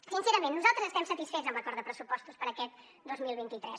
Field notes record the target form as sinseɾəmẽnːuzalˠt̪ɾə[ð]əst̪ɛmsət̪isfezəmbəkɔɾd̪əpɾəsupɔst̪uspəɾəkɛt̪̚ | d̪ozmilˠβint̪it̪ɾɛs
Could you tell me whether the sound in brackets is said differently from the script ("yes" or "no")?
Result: yes